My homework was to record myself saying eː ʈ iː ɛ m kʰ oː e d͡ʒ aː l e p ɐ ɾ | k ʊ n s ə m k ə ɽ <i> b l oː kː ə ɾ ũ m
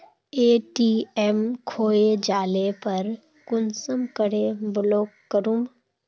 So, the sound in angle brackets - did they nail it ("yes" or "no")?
no